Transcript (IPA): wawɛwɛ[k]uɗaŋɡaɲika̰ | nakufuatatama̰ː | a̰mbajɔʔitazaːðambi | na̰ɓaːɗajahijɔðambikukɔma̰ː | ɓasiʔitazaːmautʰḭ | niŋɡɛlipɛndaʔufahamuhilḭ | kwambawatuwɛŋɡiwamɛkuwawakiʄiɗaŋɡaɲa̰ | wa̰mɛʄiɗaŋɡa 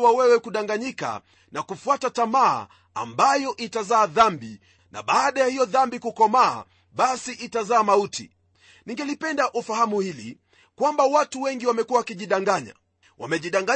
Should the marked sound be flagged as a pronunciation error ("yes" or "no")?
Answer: no